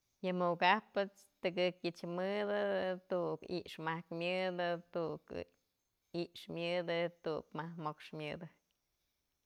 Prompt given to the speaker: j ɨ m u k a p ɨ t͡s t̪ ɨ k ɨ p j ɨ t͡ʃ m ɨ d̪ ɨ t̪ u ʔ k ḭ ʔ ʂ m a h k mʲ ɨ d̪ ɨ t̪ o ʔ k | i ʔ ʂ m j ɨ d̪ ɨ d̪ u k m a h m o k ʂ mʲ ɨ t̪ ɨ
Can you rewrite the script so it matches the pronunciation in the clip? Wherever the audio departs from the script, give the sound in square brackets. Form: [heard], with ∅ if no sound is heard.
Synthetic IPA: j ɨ m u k a p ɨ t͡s t̪ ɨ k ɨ [k] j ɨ t͡ʃ m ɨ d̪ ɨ t̪ u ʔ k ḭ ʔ ʂ m a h k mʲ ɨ d̪ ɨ t̪ [u] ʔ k | i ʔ ʂ m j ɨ d̪ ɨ [t̪] u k m a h m o k ʂ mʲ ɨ [d̪] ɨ